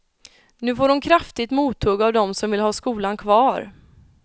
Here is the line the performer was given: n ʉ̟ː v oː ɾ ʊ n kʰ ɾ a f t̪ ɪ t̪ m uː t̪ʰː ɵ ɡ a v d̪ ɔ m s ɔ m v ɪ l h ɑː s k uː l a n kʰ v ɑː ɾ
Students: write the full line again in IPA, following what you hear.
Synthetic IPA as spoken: n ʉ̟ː f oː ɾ ʊ n kʰ ɾ a f t̪ ɪ t̪ m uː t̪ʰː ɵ ɡ a v d̪ ɔ m s ɔ m v ɪ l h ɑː s k uː l a n kʰ v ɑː ɾ